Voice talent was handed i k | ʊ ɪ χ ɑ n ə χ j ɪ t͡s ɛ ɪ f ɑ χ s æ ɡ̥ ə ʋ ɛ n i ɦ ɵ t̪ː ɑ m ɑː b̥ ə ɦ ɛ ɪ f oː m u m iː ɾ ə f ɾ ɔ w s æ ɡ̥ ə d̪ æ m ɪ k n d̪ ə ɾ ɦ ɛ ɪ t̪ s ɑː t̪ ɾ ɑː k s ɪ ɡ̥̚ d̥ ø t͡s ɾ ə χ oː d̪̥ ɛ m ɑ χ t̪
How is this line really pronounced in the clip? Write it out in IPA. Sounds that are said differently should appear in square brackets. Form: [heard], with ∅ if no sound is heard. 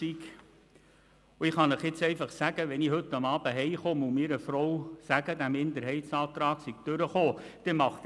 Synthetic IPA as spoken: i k | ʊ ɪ χ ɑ n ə χ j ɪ t͡s ɛ ɪ f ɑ χ s æ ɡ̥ ə ʋ ɛ n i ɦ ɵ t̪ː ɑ m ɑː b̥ ə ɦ ɛ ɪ [χ] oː m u m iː ɾ ə f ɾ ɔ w s æ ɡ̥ ə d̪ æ m ɪ [∅] n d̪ ə ɾ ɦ ɛ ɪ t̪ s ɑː t̪ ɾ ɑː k s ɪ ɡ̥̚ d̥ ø [∅] ɾ ə χ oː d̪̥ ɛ m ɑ χ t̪